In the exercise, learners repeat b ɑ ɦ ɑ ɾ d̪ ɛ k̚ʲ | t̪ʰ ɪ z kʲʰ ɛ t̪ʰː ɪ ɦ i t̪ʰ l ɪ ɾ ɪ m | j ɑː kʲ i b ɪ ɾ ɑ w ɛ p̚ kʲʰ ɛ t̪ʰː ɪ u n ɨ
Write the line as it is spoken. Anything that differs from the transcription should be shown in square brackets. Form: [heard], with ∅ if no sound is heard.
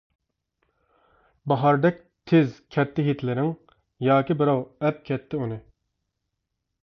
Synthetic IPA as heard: b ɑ ɦ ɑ ɾ d̪ ɛ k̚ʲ | t̪ʰ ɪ z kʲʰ ɛ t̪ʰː ɪ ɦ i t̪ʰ l ɪ ɾ ɪ [ŋ] | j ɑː kʲ i b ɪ ɾ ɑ w ɛ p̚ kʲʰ ɛ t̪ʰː ɪ u n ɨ